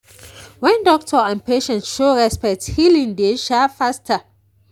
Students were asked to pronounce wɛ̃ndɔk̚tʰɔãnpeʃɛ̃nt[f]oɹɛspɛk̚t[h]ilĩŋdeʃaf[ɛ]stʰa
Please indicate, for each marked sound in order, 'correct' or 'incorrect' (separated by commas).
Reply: incorrect, correct, incorrect